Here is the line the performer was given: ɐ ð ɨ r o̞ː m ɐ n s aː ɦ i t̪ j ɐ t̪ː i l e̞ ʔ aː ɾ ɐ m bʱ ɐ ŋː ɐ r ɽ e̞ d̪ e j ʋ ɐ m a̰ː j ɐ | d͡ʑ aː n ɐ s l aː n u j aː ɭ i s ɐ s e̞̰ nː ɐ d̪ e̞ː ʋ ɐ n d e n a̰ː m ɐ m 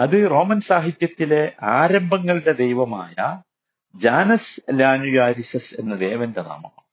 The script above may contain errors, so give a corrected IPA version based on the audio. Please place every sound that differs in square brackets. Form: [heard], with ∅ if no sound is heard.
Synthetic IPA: ɐ ð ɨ r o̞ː m ɐ n s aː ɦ i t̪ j ɐ t̪ː i l e̞ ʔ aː ɾ ɐ m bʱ ɐ ŋː ɐ [ɭ] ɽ e̞ d̪ e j ʋ ɐ m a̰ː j ɐ | d͡ʑ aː n ɐ s l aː n u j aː [ɾ] i s ɐ s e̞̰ nː ɐ d̪ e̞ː ʋ ɐ n d e n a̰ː m ɐ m